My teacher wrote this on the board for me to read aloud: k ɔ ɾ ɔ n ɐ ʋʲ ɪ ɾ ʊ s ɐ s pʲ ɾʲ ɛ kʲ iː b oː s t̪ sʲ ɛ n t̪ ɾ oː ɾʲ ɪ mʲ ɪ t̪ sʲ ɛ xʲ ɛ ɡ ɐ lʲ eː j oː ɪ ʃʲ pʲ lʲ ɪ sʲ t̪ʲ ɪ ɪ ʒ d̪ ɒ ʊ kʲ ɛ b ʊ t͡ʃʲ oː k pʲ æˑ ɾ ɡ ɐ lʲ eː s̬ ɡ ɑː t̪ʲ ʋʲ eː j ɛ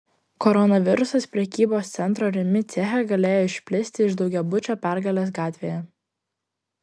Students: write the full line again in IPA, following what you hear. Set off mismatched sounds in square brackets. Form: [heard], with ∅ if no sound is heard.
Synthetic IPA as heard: k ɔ ɾ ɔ n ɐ ʋʲ ɪ ɾ ʊ s ɐ s pʲ ɾʲ ɛ kʲ iː b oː s t̪ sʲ ɛ n t̪ ɾ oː ɾʲ ɪ mʲ ɪ t̪ sʲ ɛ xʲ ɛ ɡ ɐ lʲ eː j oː ɪ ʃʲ pʲ lʲ ɪ sʲ t̪ʲ ɪ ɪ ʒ d̪ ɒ ʊ [ɡʲ] ɛ b ʊ t͡ʃʲ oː [∅] pʲ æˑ ɾ ɡ ɐ lʲ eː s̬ ɡ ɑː t̪ʲ ʋʲ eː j ɛ